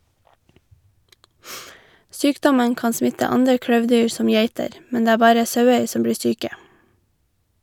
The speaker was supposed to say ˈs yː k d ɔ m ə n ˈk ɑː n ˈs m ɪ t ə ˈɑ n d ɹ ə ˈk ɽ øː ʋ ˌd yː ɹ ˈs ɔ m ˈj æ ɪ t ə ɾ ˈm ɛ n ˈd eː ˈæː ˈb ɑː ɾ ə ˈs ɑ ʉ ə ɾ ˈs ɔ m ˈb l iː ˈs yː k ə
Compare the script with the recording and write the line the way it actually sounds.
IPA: ˈs yː k d ɔ m ə n ˈk ɑː n ˈs m ɪ t ə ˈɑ n d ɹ ə ˈk ɽ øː ʋ ˌd yː ɹ ˈs ɔ m ˈj æ ɪ t ə ɾ ˈm ɛ n ˈd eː ˈæː ˈb ɑː ɾ ə ˈs ɑ ʉ ə ɹ ˈs ɔ m ˈb ɽ iː ˈs yː k ə